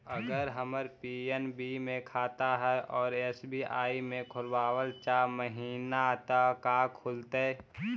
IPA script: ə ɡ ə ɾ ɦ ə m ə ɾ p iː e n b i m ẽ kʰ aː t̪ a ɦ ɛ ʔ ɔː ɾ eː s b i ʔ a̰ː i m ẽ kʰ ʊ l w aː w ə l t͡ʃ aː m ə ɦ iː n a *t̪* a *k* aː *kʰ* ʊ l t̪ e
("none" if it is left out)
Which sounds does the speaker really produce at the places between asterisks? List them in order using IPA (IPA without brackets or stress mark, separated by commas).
t̪, k, kʰ